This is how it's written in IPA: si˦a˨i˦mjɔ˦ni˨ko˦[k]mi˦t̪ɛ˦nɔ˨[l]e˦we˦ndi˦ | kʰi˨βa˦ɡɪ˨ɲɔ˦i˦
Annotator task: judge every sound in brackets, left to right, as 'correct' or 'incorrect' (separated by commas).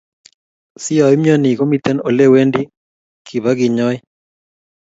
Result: incorrect, correct